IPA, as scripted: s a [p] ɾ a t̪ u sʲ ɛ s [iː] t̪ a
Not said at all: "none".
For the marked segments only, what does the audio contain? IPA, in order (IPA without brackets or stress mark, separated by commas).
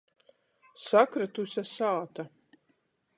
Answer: k, aː